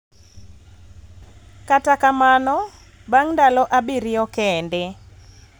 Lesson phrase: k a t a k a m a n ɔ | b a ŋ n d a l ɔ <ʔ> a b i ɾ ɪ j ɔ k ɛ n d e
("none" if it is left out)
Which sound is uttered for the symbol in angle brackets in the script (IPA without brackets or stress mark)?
ʔ